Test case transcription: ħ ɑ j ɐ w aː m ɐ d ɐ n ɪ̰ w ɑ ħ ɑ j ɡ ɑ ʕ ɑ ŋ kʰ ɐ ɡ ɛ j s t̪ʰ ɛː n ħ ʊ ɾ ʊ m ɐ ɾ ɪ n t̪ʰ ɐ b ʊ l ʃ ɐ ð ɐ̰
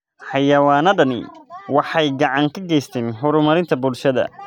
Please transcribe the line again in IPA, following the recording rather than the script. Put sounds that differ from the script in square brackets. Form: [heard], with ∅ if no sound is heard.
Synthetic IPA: ħ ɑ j ɐ w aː [n] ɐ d ɐ n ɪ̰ w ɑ ħ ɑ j ɡ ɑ ʕ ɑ ŋ kʰ ɐ ɡ ɛ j s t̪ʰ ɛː n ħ ʊ ɾ ʊ m ɐ ɾ ɪ n t̪ʰ ɐ b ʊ l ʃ ɐ ð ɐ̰